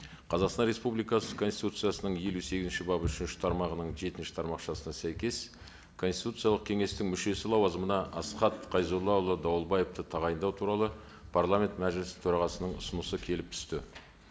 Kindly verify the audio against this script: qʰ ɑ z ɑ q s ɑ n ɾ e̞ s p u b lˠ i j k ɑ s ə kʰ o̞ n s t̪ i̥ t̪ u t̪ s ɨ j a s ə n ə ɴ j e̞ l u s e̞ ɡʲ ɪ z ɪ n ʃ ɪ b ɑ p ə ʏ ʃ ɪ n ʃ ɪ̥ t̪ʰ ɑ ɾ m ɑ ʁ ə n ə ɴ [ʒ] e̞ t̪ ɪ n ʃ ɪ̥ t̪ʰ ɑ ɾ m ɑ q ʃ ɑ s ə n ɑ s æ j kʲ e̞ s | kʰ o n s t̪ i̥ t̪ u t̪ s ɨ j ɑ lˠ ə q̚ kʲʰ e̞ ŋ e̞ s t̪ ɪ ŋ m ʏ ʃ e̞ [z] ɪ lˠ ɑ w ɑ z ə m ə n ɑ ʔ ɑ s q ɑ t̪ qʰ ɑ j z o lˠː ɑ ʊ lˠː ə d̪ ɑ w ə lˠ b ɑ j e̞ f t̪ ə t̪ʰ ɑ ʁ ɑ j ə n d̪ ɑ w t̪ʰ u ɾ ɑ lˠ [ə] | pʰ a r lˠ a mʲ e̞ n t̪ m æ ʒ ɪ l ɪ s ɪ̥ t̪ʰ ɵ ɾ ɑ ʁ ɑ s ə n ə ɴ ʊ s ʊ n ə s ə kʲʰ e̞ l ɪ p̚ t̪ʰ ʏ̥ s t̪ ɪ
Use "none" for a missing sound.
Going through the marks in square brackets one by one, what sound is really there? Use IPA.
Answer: ʒ, s, ə

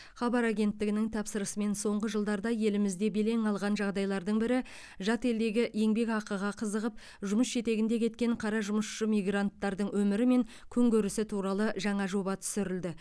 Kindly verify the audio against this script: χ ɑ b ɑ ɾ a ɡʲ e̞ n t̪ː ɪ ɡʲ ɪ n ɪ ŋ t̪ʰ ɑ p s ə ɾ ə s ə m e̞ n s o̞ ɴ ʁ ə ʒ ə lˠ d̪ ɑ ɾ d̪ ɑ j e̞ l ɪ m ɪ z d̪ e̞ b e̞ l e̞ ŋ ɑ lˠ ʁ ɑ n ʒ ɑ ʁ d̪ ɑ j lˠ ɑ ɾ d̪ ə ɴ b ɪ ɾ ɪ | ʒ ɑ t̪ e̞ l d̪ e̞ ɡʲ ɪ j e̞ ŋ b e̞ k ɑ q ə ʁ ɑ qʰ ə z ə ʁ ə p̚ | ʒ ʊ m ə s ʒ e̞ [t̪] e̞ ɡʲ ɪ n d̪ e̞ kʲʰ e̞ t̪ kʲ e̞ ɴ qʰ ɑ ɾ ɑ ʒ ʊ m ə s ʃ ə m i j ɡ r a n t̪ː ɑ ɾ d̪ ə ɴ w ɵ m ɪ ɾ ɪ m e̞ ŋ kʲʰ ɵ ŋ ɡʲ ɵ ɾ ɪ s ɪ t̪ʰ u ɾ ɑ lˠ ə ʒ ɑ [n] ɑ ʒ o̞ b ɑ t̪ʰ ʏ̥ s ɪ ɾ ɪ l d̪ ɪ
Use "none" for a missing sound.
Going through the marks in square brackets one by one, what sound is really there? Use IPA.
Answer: t̪, ɴ

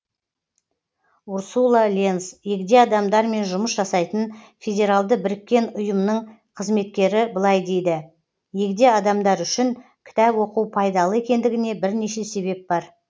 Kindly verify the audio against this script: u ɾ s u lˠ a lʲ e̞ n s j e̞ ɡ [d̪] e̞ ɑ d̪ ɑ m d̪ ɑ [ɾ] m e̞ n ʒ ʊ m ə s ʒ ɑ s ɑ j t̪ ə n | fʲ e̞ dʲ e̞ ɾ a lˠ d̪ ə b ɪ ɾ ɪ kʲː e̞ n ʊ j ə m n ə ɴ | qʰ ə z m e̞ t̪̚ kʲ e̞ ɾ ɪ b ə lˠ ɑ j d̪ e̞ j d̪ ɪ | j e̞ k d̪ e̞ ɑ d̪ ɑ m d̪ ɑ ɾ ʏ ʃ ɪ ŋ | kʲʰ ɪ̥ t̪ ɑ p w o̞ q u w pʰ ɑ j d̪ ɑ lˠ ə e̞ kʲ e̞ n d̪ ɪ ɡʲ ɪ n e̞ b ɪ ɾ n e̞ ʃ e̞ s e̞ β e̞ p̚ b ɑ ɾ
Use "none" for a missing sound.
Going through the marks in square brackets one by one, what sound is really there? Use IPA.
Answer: d̪, ɾ

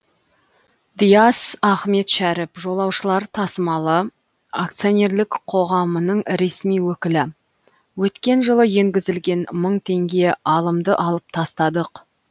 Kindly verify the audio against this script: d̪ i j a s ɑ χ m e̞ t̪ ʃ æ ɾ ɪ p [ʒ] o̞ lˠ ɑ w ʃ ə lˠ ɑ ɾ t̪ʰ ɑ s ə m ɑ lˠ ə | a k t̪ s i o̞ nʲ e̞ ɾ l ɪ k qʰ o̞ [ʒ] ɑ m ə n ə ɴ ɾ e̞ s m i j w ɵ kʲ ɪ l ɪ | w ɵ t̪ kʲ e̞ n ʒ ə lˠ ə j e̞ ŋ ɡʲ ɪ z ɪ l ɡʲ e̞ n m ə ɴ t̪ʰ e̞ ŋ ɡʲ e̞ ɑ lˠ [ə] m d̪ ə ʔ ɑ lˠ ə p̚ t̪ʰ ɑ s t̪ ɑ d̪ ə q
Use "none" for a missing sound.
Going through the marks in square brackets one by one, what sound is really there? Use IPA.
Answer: ʒ, ʁ, ə

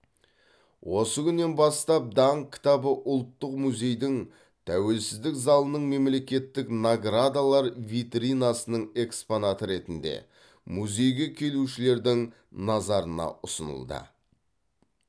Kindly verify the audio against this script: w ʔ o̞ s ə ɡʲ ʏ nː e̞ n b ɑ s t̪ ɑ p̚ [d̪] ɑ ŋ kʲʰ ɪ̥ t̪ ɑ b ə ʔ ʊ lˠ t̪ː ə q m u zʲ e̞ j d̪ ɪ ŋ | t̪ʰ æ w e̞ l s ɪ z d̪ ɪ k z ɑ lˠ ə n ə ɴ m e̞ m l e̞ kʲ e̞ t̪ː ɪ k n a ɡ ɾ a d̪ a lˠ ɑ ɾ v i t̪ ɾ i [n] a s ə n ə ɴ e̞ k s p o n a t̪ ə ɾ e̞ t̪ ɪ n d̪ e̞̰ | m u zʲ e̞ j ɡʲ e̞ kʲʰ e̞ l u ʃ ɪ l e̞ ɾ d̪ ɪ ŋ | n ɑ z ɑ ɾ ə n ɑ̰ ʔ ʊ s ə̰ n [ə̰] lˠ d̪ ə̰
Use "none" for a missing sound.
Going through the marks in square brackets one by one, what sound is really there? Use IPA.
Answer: d̪, n, ə̰

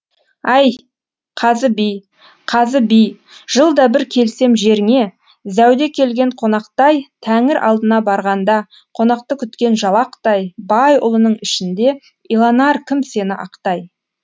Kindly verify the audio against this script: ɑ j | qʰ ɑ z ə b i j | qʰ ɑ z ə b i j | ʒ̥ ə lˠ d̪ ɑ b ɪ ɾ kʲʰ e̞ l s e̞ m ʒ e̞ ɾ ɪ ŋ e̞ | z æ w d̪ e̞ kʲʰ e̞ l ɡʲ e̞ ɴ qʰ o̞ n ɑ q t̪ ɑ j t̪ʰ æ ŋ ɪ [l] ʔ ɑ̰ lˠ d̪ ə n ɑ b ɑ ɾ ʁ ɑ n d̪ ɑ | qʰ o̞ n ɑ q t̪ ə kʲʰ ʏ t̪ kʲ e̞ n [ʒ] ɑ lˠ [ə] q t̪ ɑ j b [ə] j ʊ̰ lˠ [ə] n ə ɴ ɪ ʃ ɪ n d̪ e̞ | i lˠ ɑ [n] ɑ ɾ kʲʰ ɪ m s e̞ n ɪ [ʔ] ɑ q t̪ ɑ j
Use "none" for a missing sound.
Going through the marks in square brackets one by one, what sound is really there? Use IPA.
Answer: ɾ, ʒ, ɑ, ɑ, ə, n, ʔ

